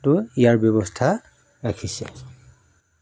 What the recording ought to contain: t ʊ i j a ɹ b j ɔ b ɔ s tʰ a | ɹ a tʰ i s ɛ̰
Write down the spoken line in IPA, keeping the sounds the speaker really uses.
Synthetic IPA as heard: t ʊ i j a ɹ b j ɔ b ɔ s tʰ a | ɹ a kʰ i s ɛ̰